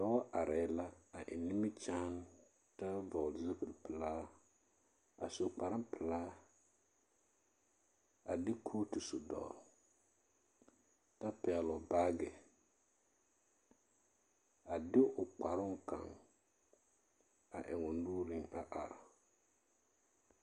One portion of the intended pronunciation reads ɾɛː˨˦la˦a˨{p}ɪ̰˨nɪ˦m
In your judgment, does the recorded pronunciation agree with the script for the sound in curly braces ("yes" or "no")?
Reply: no